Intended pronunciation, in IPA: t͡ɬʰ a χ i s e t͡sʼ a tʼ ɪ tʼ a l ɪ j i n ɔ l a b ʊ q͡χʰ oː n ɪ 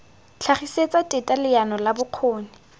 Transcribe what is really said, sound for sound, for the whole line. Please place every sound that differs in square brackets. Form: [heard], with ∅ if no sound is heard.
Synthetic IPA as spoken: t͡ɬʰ a χ i s e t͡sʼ a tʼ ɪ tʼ a l ɪ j [a] n ɔ l a b ʊ q͡χʰ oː n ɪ